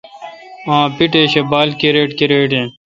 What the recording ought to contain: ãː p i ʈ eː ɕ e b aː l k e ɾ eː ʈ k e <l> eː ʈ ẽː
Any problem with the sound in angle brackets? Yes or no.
yes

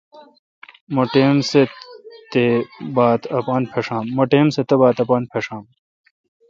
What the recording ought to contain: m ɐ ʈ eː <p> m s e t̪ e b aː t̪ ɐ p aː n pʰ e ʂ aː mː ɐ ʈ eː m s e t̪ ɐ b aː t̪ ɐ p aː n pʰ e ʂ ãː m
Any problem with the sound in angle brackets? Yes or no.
yes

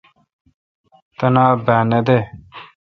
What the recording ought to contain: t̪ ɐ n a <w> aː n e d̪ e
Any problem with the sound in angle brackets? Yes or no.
yes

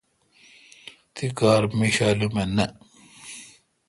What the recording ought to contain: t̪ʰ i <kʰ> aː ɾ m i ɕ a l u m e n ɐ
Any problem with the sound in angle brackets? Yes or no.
yes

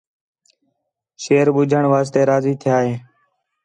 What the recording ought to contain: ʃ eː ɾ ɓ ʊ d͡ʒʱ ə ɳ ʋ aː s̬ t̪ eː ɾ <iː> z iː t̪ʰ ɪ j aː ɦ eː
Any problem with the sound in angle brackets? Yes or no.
yes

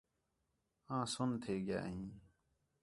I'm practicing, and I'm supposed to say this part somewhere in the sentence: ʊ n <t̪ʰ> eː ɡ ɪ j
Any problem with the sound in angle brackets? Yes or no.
no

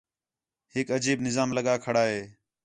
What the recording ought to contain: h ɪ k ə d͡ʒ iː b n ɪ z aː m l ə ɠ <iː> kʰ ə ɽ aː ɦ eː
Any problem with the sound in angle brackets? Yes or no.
yes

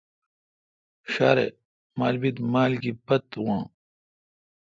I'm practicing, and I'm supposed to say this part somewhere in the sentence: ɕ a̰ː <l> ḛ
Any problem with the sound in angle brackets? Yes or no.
yes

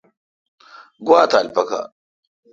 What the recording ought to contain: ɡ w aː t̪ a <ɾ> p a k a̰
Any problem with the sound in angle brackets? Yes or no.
yes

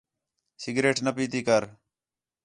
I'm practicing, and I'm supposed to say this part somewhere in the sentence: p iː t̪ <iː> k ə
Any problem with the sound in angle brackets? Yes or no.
no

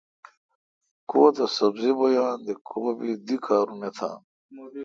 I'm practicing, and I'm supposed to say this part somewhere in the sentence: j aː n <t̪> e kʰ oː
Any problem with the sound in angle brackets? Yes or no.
yes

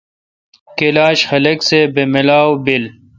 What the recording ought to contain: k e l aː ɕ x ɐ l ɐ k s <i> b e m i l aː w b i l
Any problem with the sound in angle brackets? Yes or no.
yes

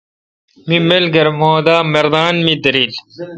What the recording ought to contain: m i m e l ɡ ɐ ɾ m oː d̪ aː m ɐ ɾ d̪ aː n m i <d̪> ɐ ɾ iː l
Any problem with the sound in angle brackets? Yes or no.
no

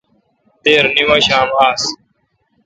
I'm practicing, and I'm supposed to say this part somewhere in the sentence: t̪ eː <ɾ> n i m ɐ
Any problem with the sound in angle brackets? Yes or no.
no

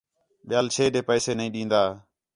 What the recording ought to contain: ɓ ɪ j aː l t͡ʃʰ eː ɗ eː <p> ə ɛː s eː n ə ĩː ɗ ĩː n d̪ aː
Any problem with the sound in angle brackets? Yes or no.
no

